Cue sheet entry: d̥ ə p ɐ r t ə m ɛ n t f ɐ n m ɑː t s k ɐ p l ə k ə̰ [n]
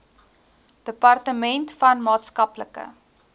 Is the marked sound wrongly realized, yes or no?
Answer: yes